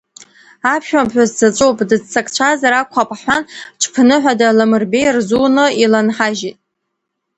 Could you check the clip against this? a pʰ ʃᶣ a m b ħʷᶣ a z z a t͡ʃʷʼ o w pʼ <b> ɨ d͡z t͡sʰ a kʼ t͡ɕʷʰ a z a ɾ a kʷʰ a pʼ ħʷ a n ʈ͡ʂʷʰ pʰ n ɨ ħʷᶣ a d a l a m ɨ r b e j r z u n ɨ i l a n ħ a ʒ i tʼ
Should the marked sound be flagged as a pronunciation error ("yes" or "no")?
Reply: yes